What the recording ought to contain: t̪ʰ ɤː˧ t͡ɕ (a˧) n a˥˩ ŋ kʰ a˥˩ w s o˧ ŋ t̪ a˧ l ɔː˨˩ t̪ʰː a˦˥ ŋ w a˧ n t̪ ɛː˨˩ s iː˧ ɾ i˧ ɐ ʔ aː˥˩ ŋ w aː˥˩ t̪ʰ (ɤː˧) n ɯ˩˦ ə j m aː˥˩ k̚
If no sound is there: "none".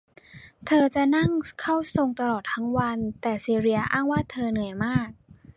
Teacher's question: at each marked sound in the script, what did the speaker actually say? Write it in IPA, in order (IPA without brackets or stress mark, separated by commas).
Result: a˨˩, ɤː˧